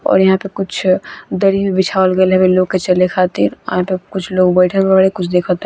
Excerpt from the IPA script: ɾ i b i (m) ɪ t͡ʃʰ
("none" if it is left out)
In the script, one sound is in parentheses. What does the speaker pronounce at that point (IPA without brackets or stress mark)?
b